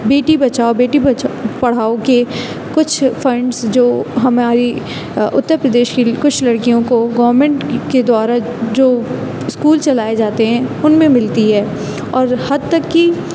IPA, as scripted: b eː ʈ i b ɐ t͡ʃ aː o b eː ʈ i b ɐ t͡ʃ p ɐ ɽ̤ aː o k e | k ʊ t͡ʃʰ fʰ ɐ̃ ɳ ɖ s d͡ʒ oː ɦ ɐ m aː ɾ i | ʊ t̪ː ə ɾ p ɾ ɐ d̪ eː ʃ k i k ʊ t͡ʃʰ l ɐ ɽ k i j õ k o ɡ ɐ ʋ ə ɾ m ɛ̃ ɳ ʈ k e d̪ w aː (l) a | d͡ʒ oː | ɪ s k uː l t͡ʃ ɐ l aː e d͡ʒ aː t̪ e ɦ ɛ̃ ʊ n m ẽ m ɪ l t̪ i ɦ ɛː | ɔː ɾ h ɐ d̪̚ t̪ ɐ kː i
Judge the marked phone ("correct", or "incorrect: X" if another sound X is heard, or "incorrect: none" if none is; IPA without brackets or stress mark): incorrect: ɾ